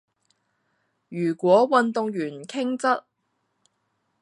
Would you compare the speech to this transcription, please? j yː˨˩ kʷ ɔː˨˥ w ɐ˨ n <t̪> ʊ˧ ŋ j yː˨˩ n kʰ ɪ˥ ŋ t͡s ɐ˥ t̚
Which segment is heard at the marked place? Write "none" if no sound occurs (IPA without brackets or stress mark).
t̪